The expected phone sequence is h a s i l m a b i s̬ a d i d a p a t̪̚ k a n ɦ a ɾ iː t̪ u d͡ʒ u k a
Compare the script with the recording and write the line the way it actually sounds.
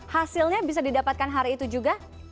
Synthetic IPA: h a s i l ɲ a b i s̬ a d i d a p a t̪̚ k a n ɦ a ɾ iː t̪ u d͡ʒ u ɡ a